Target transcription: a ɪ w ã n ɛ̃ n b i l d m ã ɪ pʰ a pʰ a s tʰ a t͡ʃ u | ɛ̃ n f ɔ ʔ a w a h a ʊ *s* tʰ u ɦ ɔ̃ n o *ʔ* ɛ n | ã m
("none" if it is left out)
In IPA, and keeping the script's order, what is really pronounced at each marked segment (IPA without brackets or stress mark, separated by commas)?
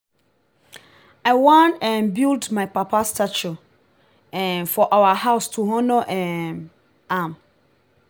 s, ʔ